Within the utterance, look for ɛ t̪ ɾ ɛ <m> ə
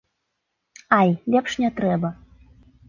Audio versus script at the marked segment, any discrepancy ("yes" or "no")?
yes